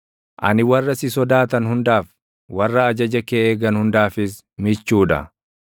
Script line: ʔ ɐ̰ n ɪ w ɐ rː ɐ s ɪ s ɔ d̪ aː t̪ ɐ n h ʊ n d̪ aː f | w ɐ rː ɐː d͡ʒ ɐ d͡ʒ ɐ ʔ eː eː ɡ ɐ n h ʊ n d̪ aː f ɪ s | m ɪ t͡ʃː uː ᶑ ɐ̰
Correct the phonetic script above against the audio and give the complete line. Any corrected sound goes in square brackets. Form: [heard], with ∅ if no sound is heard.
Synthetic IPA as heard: ʔ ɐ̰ n ɪ w ɐ rː ɐ s ɪ s ɔ d̪ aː t̪ ɐ n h ʊ n d̪ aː f | w ɐ rː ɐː d͡ʒ ɐ d͡ʒ ɐ [k] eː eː ɡ ɐ n h ʊ n d̪ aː f ɪ s | m ɪ t͡ʃː uː ᶑ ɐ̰